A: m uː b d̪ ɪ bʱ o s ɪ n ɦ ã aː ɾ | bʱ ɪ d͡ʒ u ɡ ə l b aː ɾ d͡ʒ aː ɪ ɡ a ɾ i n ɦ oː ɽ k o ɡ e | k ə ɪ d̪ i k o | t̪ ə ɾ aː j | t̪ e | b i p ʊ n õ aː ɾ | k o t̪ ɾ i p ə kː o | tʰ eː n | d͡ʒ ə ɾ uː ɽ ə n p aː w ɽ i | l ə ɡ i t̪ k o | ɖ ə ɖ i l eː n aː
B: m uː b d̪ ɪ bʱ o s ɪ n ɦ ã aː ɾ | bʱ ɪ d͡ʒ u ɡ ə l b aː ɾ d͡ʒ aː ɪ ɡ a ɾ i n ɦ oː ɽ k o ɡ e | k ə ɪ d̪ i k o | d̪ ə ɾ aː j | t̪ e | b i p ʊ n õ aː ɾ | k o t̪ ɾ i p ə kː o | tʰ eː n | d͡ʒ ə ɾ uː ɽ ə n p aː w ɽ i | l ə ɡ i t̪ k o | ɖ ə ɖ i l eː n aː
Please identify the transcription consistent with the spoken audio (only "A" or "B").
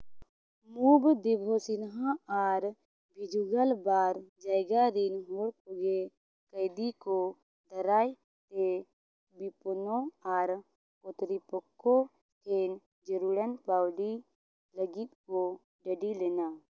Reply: B